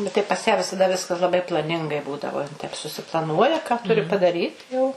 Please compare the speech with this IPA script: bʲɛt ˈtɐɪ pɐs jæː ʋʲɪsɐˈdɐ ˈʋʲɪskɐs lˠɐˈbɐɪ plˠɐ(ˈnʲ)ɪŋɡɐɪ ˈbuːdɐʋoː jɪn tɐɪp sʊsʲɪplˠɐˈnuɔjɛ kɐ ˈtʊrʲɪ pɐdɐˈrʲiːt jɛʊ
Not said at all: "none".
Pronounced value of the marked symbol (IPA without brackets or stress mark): nʲ